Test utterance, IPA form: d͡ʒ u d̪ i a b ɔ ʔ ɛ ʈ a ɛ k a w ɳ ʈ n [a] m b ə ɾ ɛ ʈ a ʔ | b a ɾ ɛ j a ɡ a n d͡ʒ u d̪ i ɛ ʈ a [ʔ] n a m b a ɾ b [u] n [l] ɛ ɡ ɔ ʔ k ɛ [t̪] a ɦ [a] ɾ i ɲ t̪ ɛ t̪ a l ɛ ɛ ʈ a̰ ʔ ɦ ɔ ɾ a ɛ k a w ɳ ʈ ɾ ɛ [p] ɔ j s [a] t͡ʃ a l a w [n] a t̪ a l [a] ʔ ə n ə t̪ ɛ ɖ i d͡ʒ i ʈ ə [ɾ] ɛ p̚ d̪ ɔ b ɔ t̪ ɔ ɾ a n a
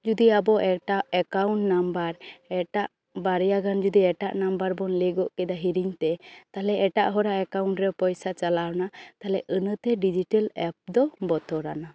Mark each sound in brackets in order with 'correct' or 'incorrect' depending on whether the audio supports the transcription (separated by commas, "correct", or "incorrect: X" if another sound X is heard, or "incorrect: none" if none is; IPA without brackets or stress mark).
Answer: correct, correct, incorrect: ɔ, correct, incorrect: d̪, incorrect: i, correct, correct, correct, incorrect: ɛ, incorrect: l